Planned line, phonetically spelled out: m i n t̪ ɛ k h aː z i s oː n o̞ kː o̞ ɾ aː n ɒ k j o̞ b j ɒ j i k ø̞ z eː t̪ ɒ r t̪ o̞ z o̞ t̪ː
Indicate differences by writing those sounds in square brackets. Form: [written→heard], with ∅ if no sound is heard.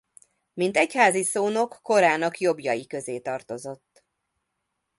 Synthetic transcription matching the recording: m i n t̪ ɛ [k→c] h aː z i s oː n o̞ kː o̞ ɾ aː n ɒ k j o̞ b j ɒ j i k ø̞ z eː t̪ ɒ r t̪ o̞ z o̞ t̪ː